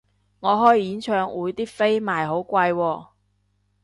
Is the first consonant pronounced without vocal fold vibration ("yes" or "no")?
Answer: no